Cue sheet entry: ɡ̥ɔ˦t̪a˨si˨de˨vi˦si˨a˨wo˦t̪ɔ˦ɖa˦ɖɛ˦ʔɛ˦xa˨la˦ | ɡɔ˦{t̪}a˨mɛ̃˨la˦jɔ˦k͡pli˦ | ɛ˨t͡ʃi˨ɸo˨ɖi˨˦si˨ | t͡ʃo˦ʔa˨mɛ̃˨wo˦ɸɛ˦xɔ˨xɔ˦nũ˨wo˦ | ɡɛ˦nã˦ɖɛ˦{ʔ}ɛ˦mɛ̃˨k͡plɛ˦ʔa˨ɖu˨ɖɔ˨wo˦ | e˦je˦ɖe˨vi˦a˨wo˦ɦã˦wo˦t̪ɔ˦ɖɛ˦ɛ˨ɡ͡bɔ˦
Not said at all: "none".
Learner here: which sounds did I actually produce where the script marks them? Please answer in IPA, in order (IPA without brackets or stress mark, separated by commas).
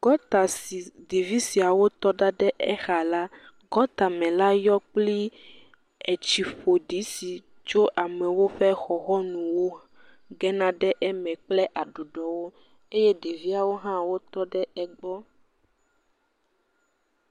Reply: t̪, ʔ